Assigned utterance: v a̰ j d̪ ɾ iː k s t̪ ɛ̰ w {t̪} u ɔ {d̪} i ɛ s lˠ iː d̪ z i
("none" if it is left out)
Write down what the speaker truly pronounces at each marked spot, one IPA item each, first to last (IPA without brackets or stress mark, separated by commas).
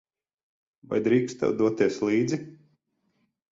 d̪, t̪